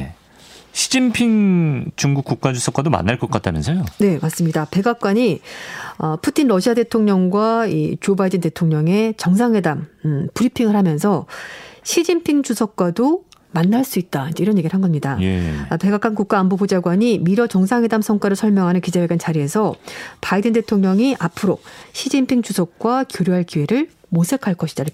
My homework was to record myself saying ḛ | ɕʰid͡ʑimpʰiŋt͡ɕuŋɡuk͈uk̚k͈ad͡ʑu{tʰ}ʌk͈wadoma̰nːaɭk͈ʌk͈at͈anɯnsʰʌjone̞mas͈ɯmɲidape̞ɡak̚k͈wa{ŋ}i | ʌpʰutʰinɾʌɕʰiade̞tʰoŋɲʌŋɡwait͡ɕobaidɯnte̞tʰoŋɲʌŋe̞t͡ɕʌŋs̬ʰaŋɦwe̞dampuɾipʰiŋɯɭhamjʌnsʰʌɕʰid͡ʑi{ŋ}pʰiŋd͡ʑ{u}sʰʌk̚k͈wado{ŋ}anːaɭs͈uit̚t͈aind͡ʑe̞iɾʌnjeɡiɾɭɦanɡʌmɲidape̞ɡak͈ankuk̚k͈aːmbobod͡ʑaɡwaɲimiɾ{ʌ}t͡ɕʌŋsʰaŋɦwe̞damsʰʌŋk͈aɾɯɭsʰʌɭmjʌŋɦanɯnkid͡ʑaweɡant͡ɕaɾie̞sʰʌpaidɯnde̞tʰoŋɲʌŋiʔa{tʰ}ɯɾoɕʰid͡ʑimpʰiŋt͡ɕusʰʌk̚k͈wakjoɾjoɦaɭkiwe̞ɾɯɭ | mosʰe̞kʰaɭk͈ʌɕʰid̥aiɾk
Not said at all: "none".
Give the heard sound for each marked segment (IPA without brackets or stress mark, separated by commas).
sʰ, ɲ, m, u, m, ʌ, pʰ